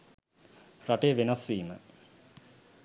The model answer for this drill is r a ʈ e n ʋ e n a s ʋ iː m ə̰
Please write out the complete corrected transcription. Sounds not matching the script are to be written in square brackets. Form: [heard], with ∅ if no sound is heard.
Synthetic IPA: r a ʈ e [∅] ʋ e n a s ʋ iː m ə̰